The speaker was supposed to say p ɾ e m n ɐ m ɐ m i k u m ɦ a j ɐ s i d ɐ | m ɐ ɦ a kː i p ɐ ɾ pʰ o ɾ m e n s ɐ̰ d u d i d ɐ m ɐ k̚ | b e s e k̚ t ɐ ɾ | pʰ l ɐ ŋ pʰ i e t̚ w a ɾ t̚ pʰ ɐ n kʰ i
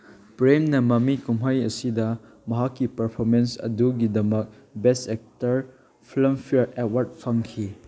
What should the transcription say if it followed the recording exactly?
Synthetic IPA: p ɾ e m n ɐ m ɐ m i k u m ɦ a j ɐ s i d ɐ | m ɐ ɦ a kː i p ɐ ɾ pʰ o ɾ m e n s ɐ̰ d u ɡ i d ɐ m ɐ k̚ | b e s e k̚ t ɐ ɾ | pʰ l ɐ m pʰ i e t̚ w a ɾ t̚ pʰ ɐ ŋ kʰ i